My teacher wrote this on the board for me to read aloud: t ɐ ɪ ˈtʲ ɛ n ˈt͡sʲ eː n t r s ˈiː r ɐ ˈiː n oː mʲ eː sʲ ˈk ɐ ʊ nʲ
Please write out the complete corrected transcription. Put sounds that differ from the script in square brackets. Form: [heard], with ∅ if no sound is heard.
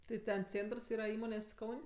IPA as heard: t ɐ ɪ ˈtʲ ɛ n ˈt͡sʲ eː n t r s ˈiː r ɐ ˈiː [m] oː [nʲ] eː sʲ ˈk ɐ ʊ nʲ